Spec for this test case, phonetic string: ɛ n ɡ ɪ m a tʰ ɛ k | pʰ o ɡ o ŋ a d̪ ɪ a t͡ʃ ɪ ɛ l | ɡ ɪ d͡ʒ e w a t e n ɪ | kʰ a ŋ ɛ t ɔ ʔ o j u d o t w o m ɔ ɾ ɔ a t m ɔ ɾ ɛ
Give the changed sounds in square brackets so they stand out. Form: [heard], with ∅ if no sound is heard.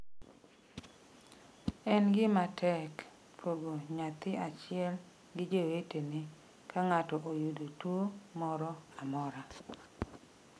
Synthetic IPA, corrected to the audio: ɛ n ɡ ɪ m a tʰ ɛ k | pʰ o ɡ o [ɲ] a [t̪] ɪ a t͡ʃ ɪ ɛ l | ɡ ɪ d͡ʒ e w [e] t e n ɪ | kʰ a ŋ [a] t ɔ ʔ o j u d o t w o m ɔ ɾ ɔ a [∅] m ɔ ɾ [a]